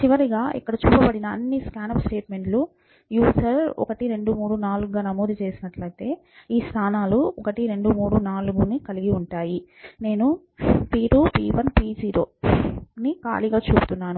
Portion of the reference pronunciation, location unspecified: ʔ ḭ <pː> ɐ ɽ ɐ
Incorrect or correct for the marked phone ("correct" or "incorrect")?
incorrect